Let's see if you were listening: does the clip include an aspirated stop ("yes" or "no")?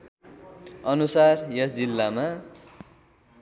no